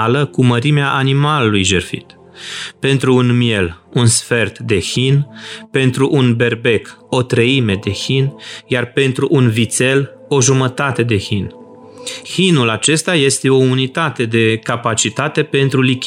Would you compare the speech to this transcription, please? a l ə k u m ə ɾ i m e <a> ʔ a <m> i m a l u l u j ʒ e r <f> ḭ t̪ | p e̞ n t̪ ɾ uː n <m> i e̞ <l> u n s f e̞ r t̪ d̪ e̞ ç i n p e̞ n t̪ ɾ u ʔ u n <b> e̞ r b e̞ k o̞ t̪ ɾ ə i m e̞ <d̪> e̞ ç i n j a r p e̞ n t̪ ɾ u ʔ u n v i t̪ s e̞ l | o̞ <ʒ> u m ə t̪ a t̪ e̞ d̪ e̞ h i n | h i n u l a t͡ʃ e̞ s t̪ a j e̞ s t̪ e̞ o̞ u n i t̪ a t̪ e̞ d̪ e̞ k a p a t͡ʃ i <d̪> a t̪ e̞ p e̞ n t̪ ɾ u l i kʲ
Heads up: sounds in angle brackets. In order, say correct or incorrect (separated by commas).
correct, incorrect, correct, correct, correct, correct, correct, correct, incorrect